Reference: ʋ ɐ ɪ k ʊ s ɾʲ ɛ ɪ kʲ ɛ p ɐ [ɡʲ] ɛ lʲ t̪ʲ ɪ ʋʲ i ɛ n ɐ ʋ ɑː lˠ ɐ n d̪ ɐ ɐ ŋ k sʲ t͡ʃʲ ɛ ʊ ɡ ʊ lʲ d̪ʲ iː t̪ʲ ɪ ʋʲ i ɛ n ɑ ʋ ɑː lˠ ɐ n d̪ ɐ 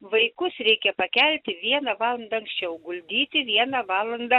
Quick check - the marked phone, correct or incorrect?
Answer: incorrect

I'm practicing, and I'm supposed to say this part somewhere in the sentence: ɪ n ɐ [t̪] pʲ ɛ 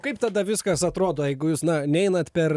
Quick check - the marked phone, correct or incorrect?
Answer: correct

